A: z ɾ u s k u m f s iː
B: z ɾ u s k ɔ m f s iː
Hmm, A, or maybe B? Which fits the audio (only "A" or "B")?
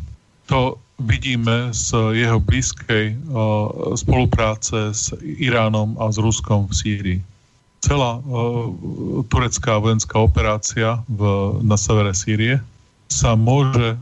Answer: B